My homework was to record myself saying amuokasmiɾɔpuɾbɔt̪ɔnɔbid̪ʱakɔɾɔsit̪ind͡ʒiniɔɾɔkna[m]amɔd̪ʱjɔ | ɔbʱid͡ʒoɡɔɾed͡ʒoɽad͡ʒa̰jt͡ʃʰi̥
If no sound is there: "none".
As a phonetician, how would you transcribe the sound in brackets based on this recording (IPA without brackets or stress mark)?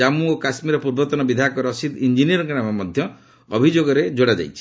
m